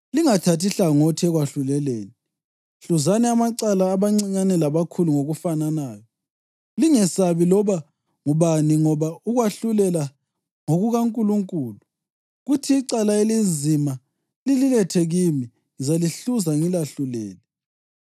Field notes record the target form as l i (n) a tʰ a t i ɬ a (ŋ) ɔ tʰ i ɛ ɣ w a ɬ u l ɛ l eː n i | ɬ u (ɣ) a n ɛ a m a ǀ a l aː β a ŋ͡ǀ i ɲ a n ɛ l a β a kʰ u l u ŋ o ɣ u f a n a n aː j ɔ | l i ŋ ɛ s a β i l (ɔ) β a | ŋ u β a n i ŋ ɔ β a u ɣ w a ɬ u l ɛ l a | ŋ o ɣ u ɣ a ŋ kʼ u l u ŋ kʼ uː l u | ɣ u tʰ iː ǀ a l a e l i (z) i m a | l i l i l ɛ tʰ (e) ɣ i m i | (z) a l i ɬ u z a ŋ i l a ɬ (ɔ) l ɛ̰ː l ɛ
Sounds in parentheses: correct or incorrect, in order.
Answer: incorrect, correct, incorrect, correct, correct, incorrect, correct, incorrect

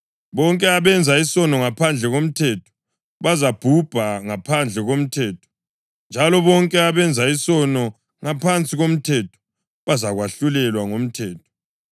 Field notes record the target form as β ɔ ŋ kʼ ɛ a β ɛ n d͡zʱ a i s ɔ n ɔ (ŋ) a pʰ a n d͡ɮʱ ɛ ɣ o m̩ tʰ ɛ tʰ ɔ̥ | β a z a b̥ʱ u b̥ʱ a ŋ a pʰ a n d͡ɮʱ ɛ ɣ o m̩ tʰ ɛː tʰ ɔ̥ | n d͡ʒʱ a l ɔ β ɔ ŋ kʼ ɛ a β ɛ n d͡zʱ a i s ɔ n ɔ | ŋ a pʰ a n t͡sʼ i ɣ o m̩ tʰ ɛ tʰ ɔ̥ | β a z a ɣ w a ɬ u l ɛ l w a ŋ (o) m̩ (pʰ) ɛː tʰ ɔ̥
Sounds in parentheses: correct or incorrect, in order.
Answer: correct, correct, incorrect

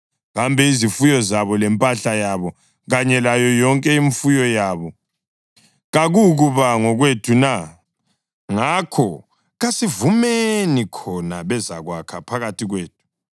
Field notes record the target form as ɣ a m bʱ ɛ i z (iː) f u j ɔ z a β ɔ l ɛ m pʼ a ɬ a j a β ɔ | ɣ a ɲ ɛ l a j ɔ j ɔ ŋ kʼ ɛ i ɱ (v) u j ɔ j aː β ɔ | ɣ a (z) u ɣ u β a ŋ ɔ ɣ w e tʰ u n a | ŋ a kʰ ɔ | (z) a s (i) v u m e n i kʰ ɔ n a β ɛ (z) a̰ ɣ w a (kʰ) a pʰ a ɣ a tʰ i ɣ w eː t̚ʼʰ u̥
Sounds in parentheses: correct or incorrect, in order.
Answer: incorrect, incorrect, incorrect, incorrect, correct, correct, correct

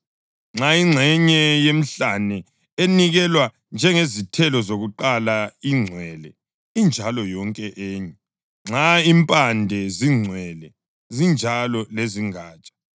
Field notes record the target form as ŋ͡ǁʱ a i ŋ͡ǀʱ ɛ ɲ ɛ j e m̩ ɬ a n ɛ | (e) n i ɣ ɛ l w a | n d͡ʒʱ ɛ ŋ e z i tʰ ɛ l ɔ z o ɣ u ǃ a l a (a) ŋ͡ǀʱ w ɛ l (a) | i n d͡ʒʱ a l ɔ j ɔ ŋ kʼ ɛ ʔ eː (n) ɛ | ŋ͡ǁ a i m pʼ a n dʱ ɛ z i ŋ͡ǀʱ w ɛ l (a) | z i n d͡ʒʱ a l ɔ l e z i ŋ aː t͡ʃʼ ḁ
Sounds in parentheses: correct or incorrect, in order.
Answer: correct, incorrect, incorrect, incorrect, incorrect

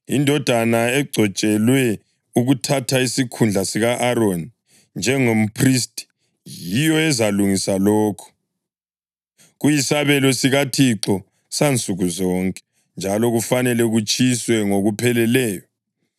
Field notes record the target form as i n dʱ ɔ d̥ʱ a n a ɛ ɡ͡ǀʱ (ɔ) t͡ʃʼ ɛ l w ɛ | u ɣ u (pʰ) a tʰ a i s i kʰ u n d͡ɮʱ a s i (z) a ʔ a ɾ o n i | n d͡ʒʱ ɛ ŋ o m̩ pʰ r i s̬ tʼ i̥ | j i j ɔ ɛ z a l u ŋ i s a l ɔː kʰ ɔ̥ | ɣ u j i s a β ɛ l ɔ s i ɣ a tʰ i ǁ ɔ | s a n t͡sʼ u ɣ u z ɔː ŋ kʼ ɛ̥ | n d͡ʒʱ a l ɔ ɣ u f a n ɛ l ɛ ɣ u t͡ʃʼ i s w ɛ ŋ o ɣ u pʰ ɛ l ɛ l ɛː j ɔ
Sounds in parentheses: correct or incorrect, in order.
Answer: correct, incorrect, incorrect

